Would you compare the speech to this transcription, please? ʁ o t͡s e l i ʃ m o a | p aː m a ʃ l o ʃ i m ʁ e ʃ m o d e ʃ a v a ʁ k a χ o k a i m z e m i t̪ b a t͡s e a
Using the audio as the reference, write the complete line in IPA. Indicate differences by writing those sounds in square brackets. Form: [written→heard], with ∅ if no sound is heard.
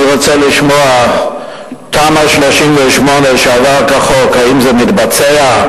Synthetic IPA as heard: ʁ o t͡s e l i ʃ m o a | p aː m a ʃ l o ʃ i m [ʁ→v] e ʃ m o [d→n] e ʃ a v a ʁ k a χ o k a i m z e m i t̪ b a t͡s e a